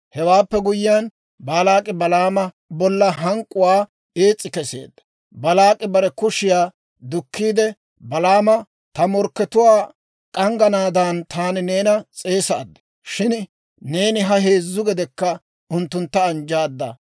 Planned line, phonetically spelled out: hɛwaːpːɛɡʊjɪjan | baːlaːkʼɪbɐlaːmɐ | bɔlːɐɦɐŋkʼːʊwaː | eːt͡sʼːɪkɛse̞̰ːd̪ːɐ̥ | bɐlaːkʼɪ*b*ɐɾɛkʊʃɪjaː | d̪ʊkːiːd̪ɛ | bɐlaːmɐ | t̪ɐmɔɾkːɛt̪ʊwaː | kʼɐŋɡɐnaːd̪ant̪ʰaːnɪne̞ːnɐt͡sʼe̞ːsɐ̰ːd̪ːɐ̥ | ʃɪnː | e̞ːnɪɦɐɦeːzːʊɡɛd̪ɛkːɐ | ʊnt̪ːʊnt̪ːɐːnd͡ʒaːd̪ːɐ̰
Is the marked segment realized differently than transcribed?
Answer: no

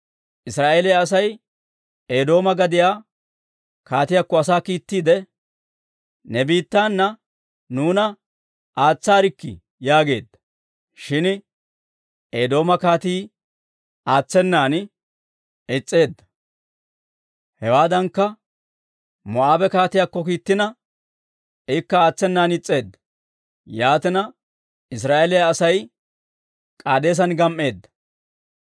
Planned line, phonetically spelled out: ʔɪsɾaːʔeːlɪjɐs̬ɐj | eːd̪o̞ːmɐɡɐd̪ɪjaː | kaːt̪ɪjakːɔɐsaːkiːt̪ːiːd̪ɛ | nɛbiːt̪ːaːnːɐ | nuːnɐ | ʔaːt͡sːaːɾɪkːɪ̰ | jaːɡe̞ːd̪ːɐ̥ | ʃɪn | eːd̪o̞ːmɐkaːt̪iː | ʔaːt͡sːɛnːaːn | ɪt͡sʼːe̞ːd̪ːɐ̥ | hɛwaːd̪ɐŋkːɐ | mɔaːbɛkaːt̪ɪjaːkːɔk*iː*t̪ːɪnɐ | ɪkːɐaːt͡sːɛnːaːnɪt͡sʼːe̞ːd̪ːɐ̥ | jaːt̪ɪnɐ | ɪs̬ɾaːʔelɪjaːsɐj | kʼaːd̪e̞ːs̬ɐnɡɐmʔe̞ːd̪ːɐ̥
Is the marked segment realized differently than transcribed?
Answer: no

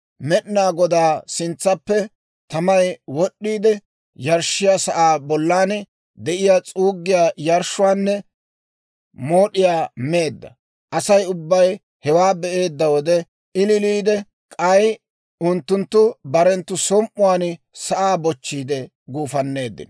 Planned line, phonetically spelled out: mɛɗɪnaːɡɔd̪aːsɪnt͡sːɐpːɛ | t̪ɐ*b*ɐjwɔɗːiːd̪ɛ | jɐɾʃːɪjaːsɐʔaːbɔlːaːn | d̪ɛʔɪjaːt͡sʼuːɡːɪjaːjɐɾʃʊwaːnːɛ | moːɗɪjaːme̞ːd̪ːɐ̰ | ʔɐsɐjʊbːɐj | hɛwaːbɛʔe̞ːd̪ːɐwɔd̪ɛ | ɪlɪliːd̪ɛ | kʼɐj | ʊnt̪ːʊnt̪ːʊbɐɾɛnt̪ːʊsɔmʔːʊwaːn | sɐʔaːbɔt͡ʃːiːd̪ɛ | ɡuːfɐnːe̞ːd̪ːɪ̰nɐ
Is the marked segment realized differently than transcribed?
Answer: yes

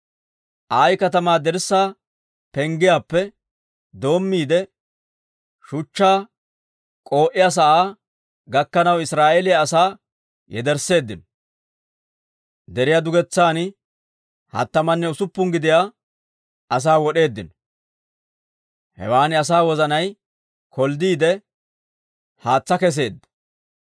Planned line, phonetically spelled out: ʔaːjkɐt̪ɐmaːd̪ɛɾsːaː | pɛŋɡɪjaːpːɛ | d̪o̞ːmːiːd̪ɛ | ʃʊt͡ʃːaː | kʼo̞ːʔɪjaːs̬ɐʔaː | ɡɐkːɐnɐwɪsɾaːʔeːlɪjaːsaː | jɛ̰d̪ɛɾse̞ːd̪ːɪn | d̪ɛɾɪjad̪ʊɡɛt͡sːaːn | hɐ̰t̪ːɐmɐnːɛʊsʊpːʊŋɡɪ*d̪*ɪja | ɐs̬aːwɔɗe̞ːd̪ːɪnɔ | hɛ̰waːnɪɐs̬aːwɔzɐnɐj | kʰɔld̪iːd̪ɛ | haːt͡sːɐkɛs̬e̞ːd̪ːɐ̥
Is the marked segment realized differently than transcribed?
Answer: no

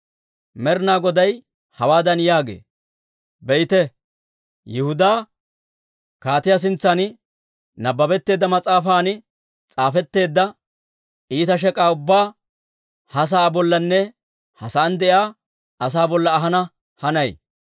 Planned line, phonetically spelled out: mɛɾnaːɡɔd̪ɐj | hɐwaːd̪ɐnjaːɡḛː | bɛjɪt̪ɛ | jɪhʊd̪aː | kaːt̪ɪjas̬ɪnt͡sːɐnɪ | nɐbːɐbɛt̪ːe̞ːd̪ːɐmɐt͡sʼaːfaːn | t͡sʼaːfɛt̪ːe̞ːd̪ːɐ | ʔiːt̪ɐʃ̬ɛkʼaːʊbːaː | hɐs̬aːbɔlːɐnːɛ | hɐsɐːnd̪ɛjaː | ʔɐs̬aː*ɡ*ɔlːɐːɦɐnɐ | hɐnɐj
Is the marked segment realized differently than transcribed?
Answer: yes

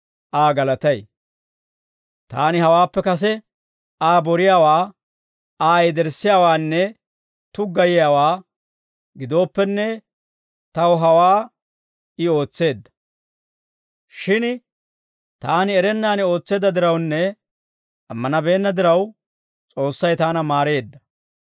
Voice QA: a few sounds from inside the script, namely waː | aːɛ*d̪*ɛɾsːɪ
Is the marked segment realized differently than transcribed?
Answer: no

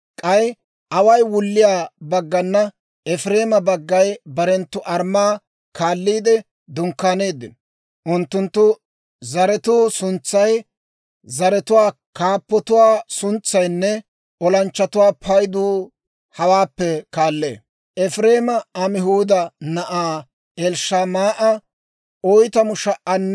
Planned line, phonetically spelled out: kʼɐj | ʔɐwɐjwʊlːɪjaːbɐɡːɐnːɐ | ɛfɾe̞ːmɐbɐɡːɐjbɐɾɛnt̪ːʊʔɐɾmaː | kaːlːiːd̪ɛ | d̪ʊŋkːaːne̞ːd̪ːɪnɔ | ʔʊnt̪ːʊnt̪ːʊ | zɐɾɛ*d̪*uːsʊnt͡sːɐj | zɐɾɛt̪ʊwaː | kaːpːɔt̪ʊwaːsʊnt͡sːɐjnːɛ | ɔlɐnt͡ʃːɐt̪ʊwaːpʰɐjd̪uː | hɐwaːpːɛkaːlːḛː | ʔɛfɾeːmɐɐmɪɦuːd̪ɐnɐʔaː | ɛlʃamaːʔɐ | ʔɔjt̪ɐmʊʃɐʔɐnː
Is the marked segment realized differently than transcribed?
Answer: yes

